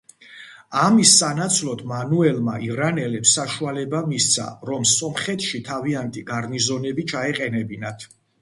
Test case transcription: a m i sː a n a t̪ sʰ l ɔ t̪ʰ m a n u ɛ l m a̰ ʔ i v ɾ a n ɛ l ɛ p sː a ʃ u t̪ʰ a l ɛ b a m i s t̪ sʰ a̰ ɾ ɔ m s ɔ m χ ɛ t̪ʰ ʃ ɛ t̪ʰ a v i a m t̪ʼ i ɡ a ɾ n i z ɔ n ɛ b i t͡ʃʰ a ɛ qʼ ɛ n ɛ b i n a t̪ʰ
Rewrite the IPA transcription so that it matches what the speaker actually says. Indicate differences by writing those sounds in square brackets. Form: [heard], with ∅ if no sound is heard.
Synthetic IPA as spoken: a m i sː a n a t̪ sʰ l ɔ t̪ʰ m a n u ɛ l m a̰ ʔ i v ɾ a n ɛ l ɛ p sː a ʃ u [∅] a l ɛ b a m i s t̪ sʰ a̰ ɾ ɔ m s ɔ m χ ɛ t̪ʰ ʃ [i] t̪ʰ a v i a [n] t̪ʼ i ɡ a ɾ n i z ɔ n ɛ b i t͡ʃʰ a ɛ qʼ ɛ n ɛ b i n a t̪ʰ